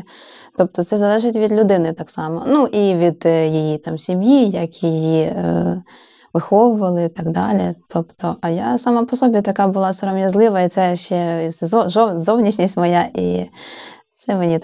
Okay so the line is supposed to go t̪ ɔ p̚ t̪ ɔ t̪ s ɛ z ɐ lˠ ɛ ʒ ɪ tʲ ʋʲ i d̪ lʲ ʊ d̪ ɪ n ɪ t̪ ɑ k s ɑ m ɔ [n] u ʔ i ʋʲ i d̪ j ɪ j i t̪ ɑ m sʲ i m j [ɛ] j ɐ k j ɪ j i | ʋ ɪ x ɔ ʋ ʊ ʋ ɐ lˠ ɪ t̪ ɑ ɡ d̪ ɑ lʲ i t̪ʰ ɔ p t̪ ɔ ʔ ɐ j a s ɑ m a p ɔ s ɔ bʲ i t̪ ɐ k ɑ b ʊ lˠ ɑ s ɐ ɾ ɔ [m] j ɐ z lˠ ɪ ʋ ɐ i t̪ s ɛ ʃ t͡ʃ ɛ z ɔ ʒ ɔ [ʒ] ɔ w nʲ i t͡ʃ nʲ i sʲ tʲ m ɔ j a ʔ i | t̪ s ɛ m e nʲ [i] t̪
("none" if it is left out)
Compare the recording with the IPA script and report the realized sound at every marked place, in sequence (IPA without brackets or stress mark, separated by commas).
n, i, m, z, i